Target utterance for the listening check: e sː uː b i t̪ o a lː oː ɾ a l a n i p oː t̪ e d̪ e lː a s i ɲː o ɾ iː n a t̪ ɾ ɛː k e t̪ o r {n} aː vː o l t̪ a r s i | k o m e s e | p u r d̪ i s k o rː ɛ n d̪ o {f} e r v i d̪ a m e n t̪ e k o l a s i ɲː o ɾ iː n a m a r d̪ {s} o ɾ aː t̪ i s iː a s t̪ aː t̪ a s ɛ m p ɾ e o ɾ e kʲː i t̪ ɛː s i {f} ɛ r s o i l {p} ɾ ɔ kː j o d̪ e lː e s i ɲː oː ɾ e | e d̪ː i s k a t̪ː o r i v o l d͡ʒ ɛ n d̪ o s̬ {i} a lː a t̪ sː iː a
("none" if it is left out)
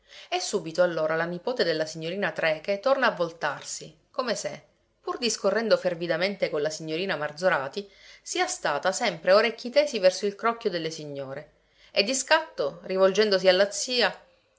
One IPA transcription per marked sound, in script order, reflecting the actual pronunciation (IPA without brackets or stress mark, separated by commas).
n, f, z, v, k, i